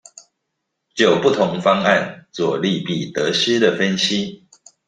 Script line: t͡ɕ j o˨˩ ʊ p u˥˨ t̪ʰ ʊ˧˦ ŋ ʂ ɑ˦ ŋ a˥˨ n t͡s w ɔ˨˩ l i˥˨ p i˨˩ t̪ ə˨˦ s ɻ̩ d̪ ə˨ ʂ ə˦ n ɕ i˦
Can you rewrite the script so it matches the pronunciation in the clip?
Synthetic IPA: t͡ɕ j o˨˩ ʊ p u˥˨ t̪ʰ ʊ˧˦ ŋ f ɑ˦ ŋ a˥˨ n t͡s w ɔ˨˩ l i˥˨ p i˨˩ t̪ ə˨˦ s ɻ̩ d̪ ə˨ f ə˦ n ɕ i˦

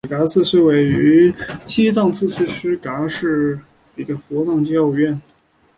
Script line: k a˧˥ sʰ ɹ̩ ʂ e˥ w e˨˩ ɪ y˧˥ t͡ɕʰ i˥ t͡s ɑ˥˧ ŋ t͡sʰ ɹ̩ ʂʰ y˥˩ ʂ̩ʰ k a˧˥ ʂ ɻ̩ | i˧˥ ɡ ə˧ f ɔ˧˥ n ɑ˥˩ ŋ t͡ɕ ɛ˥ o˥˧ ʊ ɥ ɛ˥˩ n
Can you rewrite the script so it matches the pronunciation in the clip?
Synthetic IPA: k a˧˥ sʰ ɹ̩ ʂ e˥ w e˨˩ ɪ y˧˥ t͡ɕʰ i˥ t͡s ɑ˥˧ ŋ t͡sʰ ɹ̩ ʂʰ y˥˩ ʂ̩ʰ k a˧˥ ʂ ɻ̩ | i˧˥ ɡ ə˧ f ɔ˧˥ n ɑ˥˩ ŋ t͡ɕ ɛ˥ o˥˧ ʊ ɥ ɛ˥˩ n

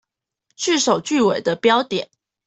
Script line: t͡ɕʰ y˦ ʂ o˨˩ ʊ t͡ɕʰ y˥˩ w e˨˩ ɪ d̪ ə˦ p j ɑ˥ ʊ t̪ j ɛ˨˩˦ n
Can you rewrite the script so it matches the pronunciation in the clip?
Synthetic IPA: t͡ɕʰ y˥˩ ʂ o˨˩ ʊ t͡ɕ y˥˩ w e˨˩ ɪ d̪ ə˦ p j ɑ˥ ʊ t̪ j ɛ˨˩˦ n

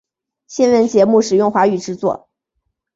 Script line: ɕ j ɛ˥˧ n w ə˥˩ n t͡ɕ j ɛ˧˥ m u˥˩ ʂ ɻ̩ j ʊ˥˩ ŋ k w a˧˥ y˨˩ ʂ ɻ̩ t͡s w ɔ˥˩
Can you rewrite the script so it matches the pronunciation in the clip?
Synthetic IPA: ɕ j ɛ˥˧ n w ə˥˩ n t͡ɕ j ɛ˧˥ m u˥˩ ʂ ɻ̩ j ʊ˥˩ ŋ x w a˧˥ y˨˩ ʈ͡ʂ ɻ̩ t͡s w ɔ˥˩

